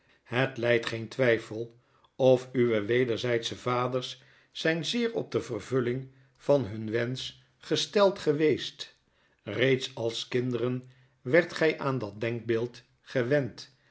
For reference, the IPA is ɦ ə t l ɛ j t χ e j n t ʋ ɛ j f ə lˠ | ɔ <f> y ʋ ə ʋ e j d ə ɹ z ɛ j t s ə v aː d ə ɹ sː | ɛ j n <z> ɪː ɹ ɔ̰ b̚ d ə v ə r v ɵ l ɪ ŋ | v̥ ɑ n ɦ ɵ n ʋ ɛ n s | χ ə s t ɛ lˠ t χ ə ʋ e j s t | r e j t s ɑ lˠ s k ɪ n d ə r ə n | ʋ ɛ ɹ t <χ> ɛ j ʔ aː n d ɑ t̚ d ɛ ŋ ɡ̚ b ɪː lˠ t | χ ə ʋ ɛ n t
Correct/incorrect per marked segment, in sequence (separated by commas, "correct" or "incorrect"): correct, correct, correct